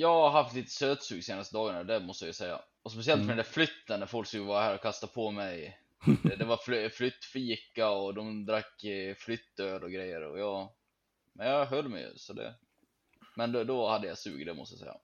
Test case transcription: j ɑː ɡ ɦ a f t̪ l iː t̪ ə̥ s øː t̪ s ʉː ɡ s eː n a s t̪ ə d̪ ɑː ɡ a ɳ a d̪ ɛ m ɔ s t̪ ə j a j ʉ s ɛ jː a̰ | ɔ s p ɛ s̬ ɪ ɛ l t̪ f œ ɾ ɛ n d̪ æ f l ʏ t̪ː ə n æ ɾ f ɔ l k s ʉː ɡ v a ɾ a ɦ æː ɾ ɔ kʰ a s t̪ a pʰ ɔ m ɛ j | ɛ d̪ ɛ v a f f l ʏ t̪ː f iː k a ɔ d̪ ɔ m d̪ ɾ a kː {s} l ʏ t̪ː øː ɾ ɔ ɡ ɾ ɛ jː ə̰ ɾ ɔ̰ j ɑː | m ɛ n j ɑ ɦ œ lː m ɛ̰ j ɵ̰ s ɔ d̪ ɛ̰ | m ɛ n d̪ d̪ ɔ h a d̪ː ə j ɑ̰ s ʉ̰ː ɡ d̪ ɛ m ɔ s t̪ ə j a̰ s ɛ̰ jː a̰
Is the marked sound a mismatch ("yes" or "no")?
yes